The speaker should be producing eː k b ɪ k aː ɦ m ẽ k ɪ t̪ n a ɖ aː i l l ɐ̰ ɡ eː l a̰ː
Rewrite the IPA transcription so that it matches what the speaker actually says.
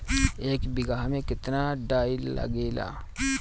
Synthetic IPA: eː k b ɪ ɡ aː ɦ m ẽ k ɪ t̪ n a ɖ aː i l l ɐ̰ ɡ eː l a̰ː